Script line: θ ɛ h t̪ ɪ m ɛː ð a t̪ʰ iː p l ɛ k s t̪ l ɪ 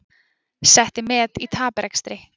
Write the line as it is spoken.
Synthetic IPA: s ɛ h t̪ ɪ m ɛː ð i t̪ʰ aː p ɾ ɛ k s t̪ ɾ ɪ